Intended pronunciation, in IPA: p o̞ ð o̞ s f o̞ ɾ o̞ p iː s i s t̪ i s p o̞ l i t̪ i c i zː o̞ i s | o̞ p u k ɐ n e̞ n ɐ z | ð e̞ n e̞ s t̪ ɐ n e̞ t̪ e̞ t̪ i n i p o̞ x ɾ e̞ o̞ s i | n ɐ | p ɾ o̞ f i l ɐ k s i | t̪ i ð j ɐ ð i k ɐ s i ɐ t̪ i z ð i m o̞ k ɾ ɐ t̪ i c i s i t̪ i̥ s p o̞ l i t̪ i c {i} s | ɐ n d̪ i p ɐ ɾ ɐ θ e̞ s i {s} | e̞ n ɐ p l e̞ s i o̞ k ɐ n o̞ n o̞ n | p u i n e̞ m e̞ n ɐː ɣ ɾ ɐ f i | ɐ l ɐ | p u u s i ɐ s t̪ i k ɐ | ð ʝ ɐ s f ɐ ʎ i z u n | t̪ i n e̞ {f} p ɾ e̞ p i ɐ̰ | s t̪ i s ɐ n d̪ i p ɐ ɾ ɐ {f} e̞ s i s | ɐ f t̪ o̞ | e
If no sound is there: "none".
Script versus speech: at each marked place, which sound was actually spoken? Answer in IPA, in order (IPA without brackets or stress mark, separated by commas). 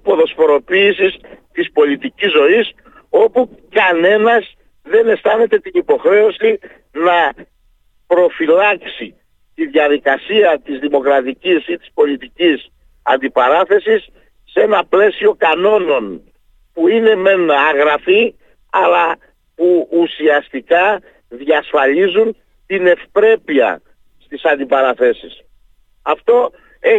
i, sː, f, θ